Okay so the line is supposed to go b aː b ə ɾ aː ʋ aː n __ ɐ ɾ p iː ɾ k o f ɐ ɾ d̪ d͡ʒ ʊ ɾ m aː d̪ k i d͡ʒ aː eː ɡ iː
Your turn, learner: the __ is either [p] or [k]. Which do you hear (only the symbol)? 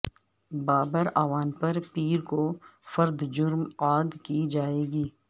p